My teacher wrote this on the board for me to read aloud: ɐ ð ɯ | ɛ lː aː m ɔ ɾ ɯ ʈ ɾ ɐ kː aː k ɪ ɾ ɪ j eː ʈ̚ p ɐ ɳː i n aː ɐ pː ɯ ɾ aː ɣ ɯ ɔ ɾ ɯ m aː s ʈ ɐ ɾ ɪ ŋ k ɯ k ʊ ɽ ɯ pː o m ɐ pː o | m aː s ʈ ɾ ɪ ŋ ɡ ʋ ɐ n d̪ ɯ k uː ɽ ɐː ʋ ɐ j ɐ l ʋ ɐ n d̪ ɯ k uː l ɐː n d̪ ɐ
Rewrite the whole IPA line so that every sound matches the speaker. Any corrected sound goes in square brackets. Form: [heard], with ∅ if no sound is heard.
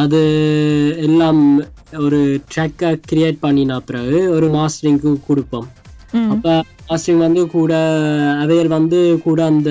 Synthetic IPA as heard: ɐ ð ɯ | ɛ lː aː m ɔ ɾ ɯ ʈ ɾ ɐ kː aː k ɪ ɾ ɪ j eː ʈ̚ p ɐ ɳː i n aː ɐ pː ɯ ɾ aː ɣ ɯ ɔ ɾ ɯ m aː s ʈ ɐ ɾ ɪ ŋ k ɯ k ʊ ɽ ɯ pː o m ɐ pː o | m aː s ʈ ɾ ɪ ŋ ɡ ʋ ɐ n d̪ ɯ k uː ɽ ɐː ʋ ɐ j ɐ l ʋ ɐ n d̪ ɯ k uː [ɽ] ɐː n d̪ ɐ